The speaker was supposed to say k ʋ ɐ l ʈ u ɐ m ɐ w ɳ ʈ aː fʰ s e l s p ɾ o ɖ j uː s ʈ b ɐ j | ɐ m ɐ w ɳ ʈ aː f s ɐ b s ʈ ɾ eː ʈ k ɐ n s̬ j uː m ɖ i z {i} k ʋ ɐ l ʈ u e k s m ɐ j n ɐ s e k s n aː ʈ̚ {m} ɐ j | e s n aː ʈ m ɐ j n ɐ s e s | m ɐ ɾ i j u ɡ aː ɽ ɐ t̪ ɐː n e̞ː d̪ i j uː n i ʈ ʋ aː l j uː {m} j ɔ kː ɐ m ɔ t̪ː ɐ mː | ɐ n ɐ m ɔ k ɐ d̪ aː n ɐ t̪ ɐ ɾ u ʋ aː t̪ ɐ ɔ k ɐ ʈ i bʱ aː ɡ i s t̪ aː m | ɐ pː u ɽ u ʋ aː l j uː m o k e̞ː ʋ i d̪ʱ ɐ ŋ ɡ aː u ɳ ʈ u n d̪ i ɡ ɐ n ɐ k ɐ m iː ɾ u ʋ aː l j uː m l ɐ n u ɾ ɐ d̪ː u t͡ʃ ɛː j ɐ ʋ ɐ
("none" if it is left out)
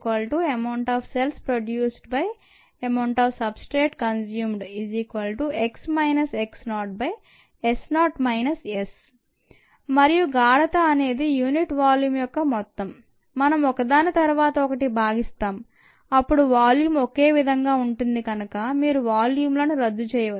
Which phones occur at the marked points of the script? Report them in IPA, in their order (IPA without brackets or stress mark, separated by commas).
iː, b, m